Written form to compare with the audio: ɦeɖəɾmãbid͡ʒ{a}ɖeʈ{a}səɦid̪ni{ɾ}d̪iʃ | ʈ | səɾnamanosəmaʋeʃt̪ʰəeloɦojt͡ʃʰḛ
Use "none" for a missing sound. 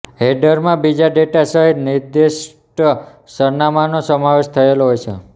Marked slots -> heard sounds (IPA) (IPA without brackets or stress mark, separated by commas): a, a, ɾ